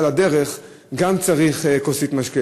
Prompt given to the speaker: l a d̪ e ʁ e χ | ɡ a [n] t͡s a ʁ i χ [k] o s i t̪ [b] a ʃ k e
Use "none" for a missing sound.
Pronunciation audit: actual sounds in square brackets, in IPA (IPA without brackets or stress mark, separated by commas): m, k, m